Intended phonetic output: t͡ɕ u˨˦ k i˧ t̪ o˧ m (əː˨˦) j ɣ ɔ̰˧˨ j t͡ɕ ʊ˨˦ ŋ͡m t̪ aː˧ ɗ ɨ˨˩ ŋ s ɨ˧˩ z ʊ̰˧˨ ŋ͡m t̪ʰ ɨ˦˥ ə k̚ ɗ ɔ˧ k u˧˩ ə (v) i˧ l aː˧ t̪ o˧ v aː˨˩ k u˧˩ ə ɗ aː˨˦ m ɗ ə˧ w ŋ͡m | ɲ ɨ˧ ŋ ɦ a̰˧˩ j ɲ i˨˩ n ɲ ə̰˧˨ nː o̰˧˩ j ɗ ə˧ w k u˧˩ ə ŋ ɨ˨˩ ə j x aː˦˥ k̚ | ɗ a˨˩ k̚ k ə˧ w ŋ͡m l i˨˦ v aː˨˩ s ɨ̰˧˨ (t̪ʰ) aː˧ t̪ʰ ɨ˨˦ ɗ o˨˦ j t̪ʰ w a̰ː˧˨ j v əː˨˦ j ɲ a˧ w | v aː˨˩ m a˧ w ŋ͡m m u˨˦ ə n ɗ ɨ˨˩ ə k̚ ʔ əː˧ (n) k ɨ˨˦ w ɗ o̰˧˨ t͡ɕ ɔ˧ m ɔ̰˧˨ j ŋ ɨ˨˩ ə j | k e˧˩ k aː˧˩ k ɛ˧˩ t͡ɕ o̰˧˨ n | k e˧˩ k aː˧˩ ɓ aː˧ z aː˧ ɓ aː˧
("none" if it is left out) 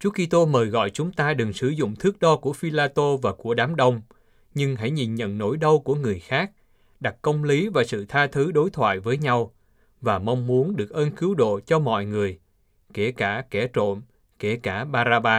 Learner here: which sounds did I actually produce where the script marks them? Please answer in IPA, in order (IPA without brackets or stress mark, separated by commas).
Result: əː˨˩, f, t̪ʰ, n